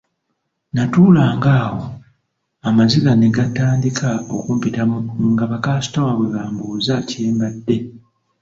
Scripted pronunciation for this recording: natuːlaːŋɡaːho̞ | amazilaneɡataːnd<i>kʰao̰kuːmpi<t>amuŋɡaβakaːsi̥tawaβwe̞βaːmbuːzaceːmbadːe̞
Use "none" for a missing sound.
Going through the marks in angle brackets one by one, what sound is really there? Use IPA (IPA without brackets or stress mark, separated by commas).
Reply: i, t